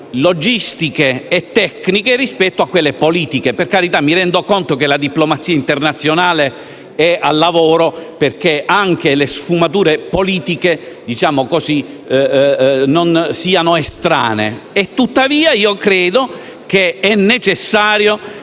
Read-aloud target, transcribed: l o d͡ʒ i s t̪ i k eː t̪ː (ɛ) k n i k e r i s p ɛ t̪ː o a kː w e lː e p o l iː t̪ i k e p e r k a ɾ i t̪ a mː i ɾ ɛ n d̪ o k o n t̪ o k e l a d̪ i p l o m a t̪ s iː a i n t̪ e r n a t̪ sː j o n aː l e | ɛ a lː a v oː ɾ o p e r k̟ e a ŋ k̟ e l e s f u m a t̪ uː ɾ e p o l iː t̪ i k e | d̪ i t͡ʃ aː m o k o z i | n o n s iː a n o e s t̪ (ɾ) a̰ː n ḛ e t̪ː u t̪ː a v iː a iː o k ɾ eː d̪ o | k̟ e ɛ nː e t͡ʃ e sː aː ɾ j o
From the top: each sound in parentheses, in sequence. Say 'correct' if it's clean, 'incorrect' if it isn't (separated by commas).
correct, correct